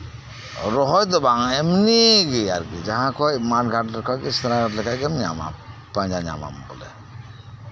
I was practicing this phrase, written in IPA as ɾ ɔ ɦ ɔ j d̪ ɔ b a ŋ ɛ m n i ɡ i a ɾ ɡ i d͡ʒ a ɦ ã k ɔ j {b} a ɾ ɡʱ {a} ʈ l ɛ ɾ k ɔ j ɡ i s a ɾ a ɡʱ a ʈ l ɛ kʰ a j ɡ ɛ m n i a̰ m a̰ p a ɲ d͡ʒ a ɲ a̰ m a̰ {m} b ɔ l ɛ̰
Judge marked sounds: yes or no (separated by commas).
no, yes, yes